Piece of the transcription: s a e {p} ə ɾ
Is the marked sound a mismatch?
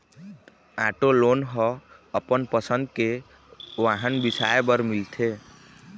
yes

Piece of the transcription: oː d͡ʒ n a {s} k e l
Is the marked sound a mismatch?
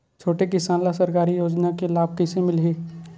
yes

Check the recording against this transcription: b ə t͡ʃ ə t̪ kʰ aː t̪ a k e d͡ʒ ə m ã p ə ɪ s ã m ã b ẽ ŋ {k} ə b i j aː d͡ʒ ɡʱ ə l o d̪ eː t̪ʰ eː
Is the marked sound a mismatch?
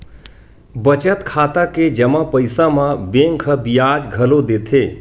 yes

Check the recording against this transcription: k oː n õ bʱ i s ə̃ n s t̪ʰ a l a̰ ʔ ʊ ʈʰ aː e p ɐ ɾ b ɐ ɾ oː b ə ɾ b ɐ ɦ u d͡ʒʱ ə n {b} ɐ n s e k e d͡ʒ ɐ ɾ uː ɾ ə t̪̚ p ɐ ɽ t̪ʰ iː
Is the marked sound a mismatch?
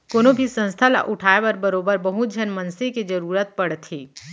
yes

